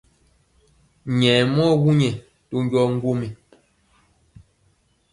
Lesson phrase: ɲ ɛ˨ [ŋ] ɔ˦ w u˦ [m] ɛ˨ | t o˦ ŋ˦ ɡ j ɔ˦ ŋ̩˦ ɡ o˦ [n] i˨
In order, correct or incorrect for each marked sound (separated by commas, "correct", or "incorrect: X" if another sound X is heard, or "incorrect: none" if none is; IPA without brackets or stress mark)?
incorrect: m, incorrect: ɲ, incorrect: m